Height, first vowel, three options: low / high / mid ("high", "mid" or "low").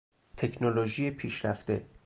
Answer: mid